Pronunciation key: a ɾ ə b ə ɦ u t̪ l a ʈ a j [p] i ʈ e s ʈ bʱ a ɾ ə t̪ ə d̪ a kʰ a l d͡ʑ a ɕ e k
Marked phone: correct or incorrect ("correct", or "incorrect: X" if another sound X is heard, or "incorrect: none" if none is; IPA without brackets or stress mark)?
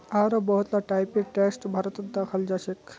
correct